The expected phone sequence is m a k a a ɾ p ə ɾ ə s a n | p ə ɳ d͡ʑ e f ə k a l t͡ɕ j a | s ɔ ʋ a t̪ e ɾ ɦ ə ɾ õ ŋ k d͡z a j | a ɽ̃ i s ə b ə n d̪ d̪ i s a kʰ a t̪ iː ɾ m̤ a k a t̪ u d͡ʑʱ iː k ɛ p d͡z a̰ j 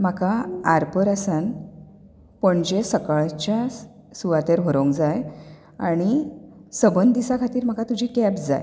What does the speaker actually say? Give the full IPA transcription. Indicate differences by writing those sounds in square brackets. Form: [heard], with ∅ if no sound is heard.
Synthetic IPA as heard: m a k a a ɾ p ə ɾ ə s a n | p ə ɳ d͡ʑ e [s] ə k a [ɭ] t͡ɕ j a | s [u] ʋ a t̪ e ɾ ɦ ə ɾ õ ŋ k d͡z a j | a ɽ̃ i s ə b ə n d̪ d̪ i s a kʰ a t̪ iː ɾ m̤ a k a t̪ u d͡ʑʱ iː k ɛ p d͡z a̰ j